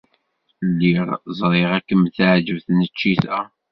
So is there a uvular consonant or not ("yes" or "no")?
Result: yes